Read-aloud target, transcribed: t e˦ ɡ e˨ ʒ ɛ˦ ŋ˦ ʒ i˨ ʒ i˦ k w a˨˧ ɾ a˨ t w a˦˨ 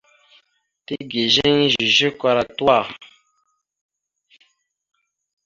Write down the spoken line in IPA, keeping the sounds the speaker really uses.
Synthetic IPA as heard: t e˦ ɡ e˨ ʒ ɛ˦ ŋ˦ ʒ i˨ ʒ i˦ k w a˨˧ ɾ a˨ t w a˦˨